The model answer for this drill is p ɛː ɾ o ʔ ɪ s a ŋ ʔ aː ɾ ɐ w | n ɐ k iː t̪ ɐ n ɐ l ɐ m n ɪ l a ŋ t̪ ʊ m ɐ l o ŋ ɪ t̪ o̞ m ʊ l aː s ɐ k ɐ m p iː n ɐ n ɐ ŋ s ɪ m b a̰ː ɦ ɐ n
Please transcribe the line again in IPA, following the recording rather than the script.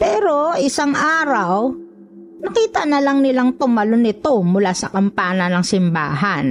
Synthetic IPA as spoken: p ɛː ɾ o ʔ ɪ s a ŋ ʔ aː ɾ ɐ w | n ɐ k iː t̪ ɐ n ɐ l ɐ ŋ n ɪ l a ŋ t̪ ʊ m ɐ l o n ɪ t̪ o̞ m ʊ l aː s ɐ k ɐ m p aː n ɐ n ɐ ŋ s ɪ m b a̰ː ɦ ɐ n